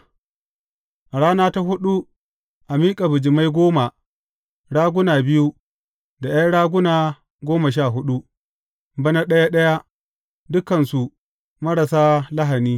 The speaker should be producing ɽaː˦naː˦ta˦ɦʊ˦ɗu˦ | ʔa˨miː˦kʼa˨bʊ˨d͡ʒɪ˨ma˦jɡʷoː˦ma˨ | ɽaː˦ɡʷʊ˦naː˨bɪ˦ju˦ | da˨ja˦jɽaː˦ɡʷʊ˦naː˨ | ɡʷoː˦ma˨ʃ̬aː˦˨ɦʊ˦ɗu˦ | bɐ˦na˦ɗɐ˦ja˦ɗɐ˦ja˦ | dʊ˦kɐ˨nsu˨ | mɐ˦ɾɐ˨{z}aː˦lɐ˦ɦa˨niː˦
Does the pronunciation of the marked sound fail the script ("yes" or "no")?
yes